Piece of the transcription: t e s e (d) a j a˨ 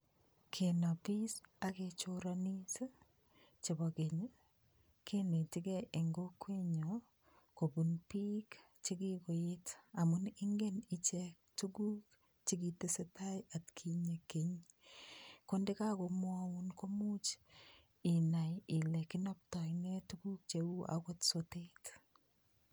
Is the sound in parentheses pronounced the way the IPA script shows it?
no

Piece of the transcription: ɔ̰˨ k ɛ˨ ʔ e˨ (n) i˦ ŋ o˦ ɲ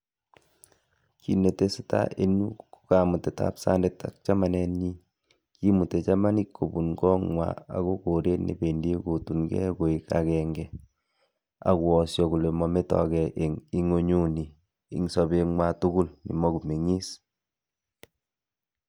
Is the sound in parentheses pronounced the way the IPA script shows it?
no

